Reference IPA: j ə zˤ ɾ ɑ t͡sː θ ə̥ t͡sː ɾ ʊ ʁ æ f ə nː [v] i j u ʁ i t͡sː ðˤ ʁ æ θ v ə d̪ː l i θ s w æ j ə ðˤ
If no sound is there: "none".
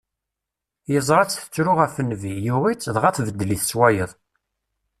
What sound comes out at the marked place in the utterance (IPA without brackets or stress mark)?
v